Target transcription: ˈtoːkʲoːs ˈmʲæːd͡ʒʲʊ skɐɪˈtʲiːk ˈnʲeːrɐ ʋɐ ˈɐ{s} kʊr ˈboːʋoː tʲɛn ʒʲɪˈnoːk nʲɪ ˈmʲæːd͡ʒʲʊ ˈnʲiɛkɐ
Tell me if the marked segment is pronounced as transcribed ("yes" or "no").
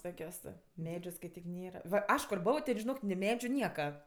no